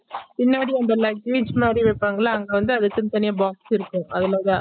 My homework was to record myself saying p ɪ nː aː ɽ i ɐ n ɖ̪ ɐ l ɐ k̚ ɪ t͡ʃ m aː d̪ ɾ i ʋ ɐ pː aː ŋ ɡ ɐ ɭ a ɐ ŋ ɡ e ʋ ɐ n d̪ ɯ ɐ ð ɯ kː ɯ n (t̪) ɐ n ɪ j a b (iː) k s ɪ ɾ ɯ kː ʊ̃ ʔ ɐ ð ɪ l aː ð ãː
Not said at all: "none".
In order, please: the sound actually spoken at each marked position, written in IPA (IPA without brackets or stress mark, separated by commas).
t̪, aː